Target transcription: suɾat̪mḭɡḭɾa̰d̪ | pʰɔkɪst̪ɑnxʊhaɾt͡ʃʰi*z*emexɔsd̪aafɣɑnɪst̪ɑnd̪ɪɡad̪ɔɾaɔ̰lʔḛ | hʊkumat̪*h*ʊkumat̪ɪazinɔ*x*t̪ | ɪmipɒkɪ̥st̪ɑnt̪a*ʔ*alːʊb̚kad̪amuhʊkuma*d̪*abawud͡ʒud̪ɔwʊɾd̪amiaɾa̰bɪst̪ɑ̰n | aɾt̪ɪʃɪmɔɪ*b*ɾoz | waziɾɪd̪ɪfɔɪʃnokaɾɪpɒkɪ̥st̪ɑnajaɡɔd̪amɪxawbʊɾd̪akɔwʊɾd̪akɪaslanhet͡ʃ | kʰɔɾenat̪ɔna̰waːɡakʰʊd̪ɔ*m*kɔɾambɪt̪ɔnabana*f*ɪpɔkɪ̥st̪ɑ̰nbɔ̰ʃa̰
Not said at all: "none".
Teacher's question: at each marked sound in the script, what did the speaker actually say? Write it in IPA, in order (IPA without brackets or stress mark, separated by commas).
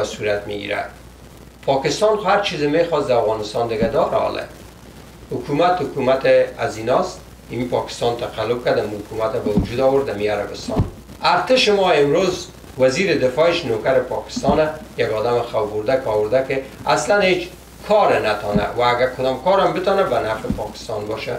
z, h, s, q, t̪, m, m, f